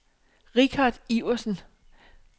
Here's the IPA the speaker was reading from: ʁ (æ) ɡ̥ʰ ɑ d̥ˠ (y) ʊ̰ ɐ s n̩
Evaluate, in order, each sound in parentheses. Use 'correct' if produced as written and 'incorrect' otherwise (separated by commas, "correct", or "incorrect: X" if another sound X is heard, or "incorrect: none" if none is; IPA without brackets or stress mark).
incorrect: i, incorrect: i